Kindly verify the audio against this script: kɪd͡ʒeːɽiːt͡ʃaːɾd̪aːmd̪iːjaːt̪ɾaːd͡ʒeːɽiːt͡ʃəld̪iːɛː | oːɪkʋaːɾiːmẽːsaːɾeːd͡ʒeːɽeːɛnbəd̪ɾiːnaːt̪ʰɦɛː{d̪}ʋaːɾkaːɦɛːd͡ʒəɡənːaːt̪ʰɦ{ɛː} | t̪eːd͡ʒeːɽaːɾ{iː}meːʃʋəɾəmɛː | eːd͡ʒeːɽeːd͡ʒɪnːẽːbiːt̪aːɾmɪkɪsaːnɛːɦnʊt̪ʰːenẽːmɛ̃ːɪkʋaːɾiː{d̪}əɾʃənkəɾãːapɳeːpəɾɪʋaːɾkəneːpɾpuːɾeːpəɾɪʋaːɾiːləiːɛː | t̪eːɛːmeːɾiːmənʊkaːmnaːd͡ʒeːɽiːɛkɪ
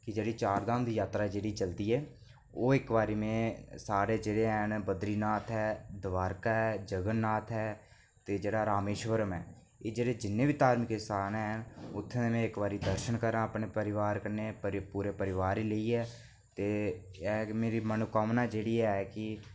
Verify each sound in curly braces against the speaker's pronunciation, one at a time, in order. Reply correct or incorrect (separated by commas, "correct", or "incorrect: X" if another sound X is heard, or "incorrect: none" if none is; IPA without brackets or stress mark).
correct, correct, incorrect: aː, correct